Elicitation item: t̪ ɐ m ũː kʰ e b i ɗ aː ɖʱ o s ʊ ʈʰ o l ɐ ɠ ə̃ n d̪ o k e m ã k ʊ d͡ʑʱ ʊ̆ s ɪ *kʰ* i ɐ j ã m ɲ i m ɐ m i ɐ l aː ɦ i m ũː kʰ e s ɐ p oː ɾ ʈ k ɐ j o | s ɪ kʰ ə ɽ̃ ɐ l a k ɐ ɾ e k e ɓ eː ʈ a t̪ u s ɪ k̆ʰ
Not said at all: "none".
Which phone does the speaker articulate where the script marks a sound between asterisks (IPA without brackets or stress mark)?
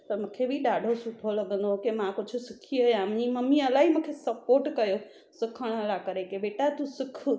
kʰ